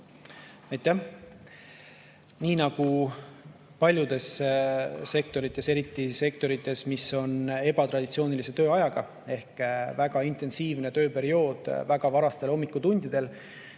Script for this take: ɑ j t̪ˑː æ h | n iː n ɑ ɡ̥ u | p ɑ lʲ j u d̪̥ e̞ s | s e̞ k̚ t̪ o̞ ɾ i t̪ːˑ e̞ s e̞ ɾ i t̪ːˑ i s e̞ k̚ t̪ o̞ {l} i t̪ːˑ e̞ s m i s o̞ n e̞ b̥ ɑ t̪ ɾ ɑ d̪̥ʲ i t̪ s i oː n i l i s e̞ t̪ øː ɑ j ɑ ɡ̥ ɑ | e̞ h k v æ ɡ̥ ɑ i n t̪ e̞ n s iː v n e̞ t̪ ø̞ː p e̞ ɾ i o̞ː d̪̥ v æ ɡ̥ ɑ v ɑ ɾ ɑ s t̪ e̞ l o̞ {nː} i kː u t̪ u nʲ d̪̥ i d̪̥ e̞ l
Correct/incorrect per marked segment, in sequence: incorrect: ɾ, incorrect: mː

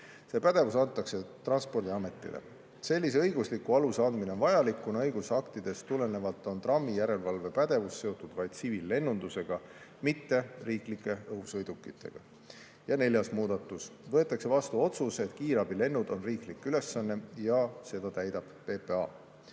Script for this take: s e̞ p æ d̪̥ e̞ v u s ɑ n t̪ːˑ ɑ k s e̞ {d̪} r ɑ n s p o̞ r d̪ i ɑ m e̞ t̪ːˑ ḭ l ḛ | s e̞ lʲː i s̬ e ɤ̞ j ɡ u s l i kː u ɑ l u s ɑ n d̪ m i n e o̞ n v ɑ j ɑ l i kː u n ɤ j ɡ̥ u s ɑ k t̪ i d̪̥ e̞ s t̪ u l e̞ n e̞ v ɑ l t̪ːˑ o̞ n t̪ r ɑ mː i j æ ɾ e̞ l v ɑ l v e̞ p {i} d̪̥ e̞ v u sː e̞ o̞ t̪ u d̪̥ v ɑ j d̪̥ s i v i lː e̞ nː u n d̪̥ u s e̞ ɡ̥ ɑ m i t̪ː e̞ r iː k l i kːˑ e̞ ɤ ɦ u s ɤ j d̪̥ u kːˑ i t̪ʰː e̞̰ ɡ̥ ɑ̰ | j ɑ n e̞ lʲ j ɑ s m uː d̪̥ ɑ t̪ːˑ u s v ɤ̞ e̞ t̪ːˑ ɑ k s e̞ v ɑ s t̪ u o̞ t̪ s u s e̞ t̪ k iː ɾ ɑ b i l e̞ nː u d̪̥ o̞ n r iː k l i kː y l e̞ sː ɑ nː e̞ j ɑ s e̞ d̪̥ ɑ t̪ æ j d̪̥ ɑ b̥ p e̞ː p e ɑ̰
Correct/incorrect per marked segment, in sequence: incorrect: t̪, incorrect: æ

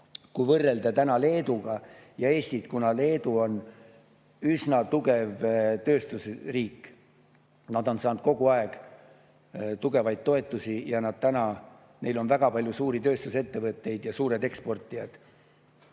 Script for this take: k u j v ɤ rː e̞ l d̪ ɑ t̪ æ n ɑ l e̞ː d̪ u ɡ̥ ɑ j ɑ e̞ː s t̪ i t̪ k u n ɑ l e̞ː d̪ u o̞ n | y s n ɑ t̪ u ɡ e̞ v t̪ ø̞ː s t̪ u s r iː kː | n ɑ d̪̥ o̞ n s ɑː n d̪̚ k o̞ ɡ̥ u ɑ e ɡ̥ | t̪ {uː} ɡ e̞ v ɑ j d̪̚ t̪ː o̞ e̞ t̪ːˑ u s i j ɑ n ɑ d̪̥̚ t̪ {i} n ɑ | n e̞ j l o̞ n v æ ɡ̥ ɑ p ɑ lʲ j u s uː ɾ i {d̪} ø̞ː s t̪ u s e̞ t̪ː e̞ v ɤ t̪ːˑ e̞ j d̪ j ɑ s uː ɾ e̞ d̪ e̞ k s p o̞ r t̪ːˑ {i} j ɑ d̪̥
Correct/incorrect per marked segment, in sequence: incorrect: u, incorrect: æ, incorrect: t̪, correct

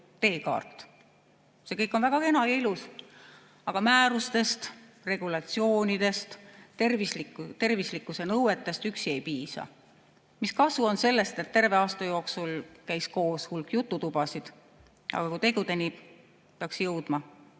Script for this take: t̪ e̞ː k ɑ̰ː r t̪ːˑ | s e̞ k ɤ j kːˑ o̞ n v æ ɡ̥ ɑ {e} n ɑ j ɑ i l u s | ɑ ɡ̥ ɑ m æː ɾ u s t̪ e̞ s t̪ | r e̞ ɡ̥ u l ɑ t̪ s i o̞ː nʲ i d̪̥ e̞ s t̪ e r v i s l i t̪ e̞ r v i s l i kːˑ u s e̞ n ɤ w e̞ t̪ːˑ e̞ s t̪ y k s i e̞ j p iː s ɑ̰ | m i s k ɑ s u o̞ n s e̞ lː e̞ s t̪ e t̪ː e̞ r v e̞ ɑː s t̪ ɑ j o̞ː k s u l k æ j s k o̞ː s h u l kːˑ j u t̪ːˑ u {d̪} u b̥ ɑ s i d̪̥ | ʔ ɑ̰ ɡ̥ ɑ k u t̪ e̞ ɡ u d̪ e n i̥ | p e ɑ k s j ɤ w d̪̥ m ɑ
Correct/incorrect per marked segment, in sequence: correct, incorrect: t̪

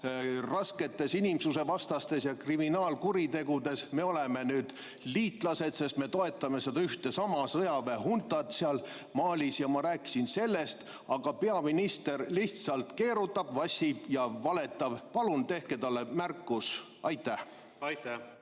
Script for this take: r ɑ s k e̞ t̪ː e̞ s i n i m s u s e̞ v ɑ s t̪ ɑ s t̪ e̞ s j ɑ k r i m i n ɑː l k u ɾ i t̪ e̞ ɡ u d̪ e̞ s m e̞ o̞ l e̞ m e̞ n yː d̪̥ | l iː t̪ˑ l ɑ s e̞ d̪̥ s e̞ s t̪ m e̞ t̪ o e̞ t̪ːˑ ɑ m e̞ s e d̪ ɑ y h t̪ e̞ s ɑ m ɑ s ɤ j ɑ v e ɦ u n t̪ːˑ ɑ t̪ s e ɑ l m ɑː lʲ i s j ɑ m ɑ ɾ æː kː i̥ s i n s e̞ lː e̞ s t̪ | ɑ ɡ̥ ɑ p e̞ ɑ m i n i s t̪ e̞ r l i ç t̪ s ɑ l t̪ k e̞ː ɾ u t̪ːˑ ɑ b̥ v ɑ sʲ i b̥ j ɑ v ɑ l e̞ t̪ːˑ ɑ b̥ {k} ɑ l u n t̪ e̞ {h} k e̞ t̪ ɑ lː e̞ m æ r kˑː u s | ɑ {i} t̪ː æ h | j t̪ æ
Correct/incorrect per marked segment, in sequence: incorrect: p, correct, incorrect: j

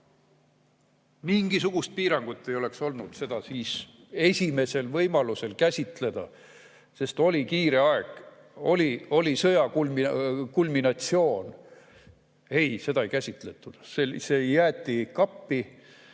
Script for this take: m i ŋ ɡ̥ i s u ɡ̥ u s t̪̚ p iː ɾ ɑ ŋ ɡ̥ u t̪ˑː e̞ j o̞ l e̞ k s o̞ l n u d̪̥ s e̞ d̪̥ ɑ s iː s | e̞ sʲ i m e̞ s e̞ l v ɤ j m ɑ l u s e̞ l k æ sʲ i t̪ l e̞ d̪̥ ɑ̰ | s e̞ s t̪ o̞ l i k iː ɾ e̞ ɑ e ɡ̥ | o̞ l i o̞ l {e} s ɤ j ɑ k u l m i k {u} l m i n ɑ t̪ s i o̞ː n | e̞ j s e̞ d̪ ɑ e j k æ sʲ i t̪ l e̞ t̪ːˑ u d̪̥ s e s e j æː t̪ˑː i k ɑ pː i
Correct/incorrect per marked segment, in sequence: incorrect: i, correct

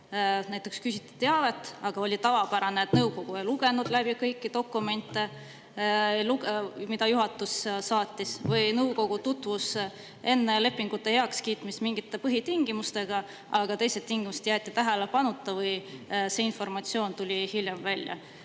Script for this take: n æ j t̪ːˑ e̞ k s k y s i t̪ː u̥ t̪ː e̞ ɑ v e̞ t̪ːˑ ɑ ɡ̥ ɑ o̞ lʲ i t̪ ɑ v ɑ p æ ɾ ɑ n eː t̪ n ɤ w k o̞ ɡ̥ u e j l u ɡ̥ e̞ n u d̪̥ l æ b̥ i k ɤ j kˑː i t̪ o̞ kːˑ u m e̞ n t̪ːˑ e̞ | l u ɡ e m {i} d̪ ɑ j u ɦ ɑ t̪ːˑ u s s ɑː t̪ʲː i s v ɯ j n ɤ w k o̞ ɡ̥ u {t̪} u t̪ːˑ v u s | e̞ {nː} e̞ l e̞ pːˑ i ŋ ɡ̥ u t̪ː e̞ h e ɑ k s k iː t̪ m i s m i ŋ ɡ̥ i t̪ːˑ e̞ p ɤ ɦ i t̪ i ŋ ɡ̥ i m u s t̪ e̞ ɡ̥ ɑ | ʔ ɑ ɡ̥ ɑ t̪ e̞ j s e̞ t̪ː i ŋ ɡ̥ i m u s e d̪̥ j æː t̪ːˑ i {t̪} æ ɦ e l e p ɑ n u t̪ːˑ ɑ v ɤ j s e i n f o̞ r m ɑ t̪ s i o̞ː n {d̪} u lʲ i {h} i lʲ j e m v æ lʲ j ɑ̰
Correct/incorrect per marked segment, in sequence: correct, correct, correct, correct, incorrect: t̪, correct

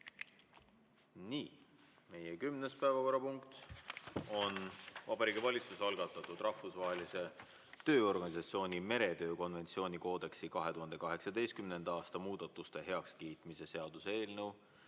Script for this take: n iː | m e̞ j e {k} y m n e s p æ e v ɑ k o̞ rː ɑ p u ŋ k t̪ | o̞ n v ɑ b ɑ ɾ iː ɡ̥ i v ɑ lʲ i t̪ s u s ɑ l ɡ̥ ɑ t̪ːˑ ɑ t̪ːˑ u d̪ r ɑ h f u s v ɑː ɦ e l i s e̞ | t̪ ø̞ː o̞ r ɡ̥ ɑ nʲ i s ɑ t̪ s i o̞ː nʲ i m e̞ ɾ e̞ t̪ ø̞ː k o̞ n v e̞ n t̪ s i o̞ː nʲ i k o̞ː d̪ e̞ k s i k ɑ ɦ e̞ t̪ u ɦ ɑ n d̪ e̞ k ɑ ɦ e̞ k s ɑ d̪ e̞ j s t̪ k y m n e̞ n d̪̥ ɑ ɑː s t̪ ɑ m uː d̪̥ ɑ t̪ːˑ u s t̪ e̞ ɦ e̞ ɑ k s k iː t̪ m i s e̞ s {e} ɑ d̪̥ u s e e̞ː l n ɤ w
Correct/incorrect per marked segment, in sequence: correct, correct

